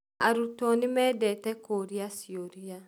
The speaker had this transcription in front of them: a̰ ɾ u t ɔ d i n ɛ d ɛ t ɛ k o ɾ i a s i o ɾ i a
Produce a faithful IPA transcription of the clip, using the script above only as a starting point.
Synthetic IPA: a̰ ɾ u t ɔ n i m ɛ d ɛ t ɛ k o ɾ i a s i o ɾ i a